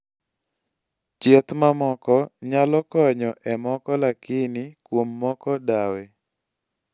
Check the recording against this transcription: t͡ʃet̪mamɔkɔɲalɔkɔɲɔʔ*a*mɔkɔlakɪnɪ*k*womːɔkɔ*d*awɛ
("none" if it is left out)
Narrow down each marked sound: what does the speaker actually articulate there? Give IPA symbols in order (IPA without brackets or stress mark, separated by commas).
ɛ, k, d